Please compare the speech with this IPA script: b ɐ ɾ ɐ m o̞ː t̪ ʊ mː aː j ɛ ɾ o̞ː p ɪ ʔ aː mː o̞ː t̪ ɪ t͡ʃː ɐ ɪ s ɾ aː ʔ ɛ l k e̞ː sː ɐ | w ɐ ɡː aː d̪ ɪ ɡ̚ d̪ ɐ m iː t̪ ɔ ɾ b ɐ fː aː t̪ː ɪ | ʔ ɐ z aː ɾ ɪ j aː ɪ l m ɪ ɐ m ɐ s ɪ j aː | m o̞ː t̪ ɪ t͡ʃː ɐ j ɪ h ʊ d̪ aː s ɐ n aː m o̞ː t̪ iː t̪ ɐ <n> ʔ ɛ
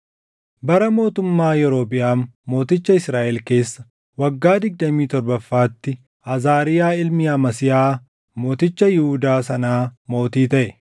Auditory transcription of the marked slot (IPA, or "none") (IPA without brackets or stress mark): none